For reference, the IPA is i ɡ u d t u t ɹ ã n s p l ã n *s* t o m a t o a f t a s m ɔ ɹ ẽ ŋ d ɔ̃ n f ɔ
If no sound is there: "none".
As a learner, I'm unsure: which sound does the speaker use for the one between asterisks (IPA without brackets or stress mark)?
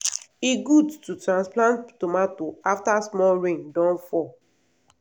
t